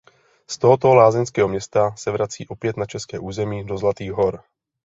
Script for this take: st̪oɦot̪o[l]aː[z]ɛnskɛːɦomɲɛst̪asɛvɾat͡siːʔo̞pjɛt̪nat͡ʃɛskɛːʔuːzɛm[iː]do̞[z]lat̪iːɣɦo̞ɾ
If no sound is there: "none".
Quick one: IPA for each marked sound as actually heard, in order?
l, z, iː, z

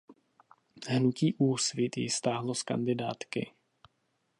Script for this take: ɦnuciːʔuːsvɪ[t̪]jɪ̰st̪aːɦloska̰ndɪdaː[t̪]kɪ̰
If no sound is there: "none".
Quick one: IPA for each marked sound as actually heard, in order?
t̪, t̪

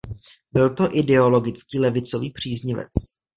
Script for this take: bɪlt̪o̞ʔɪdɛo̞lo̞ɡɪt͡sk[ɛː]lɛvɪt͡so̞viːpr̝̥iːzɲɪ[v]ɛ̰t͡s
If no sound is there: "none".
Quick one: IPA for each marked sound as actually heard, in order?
iː, v

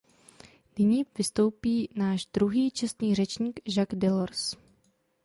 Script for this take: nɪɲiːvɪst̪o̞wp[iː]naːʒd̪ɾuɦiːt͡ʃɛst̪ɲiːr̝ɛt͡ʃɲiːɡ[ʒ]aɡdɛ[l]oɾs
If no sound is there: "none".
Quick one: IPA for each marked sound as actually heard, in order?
iː, ʒ, l

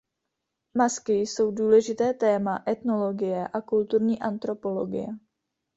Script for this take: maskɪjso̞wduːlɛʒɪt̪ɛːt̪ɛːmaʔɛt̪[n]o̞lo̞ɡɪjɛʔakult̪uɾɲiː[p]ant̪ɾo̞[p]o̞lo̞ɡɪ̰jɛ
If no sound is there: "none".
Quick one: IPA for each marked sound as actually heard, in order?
n, ʔ, p

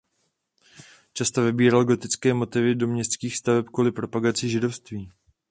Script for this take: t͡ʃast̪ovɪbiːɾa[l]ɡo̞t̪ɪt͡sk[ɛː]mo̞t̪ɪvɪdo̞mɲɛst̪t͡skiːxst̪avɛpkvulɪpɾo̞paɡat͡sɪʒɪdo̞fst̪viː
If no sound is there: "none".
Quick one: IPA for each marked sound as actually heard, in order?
l, ɛː

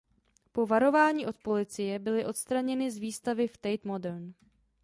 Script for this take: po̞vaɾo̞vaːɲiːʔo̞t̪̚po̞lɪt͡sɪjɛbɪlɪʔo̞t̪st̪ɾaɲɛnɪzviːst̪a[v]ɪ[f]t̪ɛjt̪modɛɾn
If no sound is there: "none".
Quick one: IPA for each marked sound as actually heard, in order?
v, f

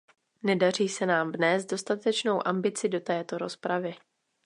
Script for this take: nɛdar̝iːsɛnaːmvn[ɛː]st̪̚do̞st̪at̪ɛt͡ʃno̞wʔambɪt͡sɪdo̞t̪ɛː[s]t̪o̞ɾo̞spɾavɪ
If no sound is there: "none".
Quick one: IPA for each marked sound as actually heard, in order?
ɛː, none

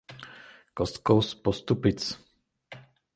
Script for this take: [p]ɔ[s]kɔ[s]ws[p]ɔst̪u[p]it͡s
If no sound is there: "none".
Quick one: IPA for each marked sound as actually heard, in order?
k, s, none, p, p

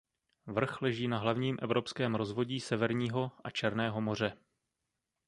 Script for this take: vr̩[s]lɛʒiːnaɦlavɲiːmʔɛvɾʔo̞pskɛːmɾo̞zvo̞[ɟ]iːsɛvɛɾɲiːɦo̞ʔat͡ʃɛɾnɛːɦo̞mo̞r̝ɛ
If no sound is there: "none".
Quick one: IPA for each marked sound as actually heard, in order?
x, ɟ

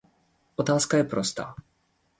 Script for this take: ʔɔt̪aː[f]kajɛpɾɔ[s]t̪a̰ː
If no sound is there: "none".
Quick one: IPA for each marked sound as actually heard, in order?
s, s

